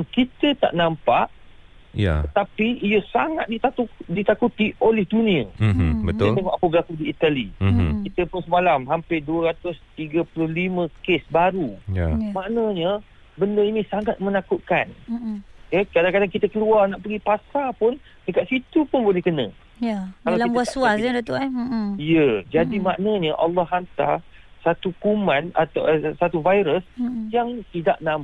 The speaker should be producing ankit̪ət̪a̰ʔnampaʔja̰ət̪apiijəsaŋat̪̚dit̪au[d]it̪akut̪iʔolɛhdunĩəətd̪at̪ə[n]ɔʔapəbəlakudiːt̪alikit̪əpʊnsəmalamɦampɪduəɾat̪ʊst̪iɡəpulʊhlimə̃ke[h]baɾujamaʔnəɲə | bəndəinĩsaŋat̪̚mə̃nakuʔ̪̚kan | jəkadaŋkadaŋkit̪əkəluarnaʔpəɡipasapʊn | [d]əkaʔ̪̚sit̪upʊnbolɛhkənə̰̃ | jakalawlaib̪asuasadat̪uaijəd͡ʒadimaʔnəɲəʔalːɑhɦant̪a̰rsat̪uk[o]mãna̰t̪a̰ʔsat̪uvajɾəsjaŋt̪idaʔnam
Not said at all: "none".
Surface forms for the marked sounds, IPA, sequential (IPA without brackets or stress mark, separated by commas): d, ŋ, s, d, u